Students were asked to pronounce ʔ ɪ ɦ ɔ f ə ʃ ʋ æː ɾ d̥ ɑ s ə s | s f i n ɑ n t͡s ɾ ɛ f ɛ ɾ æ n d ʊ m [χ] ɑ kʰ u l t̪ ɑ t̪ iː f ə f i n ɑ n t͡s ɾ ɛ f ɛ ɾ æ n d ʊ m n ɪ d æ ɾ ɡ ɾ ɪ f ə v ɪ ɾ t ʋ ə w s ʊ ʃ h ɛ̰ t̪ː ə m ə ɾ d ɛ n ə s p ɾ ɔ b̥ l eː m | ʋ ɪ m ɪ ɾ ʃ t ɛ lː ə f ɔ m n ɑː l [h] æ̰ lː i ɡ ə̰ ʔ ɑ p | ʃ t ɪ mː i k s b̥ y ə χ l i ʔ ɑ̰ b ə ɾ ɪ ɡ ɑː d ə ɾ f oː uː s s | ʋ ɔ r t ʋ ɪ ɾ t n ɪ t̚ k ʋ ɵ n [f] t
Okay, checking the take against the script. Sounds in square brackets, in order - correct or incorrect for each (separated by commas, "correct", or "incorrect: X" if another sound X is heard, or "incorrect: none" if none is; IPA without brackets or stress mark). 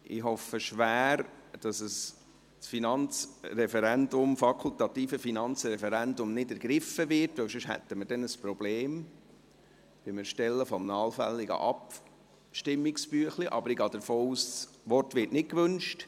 incorrect: f, incorrect: f, incorrect: ʃ